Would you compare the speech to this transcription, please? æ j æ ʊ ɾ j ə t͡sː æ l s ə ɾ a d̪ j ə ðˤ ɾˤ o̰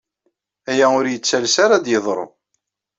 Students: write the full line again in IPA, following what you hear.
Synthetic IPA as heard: æ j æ ʊ ɾ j ə t͡sː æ l s a ɾ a d̪ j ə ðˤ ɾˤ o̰